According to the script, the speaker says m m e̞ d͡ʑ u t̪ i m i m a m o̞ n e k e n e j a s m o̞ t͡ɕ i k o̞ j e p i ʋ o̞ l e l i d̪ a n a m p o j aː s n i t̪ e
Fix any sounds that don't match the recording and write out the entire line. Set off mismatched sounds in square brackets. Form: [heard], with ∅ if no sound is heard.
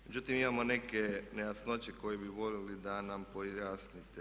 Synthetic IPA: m m e̞ d͡ʑ u t̪ i m i m a m o̞ n e k e n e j a s [n] o̞ t͡ɕ [e] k o̞ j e [b] i ʋ o̞ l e l i d̪ a n a m p o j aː s n i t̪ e